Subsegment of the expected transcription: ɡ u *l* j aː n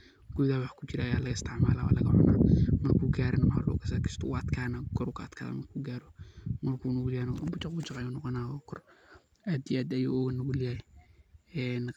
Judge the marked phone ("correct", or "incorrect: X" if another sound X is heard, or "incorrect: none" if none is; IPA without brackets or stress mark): correct